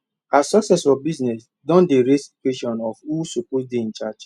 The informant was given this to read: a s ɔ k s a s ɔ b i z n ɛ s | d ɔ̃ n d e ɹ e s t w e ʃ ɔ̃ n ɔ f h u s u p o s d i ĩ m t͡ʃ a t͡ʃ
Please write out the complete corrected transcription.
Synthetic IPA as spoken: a s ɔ k s ɛ s ɔ b i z n ɛ s | d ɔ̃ n d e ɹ e s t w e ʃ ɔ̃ n ɔ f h u s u p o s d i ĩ n t͡ʃ a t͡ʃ